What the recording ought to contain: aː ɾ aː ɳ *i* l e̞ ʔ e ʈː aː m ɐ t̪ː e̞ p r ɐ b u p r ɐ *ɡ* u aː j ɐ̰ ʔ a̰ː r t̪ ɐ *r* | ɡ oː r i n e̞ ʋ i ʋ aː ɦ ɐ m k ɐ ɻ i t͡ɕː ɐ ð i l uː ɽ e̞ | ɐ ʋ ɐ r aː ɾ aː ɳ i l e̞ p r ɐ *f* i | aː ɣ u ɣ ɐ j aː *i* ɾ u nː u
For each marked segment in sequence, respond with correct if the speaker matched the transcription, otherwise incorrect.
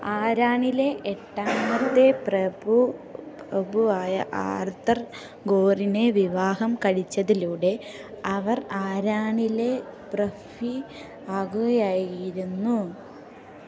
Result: correct, incorrect, correct, correct, incorrect

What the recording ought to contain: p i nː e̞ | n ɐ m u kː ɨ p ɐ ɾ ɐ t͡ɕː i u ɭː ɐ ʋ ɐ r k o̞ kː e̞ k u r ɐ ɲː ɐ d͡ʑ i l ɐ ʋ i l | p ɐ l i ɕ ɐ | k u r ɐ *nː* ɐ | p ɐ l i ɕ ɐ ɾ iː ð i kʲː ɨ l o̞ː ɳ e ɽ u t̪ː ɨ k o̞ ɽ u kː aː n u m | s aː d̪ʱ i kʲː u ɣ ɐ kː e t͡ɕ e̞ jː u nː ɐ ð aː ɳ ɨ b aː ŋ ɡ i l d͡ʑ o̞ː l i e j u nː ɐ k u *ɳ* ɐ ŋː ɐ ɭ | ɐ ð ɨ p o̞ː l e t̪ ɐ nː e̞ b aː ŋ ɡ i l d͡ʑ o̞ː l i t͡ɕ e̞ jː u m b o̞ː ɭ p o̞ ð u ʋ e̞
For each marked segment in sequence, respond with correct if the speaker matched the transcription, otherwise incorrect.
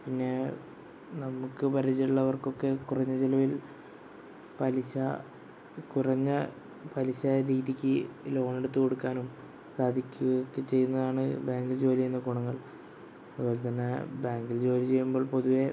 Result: incorrect, correct

